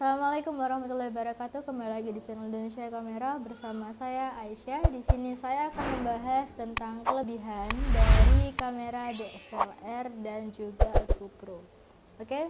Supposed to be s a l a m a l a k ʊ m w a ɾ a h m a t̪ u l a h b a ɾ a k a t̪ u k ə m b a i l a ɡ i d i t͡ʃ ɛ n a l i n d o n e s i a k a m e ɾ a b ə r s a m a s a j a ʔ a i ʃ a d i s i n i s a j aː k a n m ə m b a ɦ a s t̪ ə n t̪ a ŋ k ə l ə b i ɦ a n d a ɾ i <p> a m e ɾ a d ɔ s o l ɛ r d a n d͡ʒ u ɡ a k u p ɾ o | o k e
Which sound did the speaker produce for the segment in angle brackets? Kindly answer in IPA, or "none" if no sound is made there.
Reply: k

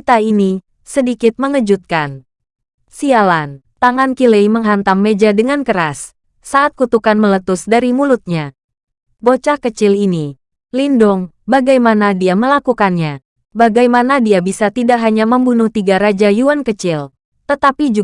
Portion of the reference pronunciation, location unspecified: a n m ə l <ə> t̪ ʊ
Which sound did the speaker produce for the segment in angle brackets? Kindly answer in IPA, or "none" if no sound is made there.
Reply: ə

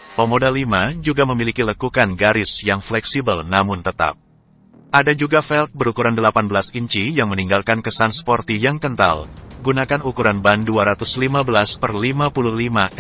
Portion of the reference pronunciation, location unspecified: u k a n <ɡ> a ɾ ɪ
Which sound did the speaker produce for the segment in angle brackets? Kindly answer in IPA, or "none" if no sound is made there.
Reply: ɡ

